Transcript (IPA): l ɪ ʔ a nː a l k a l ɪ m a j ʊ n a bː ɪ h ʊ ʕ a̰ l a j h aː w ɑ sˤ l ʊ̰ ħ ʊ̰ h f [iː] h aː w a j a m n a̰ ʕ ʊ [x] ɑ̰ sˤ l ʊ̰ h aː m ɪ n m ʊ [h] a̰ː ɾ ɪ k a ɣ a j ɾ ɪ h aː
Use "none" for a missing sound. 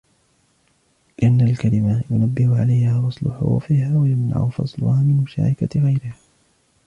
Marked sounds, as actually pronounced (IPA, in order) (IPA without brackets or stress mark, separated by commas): iː, f, ʃ